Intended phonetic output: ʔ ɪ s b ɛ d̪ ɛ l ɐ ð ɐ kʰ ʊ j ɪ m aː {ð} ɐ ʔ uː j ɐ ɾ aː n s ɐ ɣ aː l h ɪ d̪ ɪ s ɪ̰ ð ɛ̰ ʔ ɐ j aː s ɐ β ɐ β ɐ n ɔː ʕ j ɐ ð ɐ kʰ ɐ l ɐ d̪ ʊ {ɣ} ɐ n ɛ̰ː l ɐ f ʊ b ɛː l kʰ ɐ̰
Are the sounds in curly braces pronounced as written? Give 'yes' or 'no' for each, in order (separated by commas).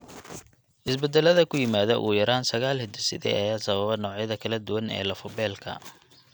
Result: yes, no